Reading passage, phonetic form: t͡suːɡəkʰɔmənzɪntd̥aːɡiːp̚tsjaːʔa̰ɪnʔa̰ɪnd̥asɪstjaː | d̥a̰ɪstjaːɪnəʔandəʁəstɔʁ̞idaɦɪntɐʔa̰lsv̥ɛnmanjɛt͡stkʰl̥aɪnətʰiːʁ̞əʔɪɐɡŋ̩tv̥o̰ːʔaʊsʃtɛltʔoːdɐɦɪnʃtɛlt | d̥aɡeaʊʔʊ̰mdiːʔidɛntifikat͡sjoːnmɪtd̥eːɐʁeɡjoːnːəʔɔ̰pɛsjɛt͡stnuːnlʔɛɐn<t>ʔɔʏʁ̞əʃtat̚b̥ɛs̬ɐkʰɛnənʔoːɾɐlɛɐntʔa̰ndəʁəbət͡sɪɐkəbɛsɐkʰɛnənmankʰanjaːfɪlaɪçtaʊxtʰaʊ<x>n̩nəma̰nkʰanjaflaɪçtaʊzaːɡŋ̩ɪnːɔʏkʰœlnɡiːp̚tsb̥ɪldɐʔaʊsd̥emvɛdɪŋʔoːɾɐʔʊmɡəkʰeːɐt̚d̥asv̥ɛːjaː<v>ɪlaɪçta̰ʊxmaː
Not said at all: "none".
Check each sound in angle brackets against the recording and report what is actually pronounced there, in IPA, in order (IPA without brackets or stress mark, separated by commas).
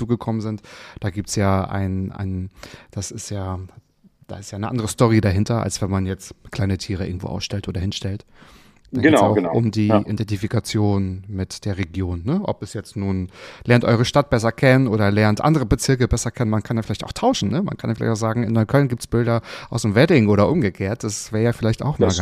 t, ʃ, f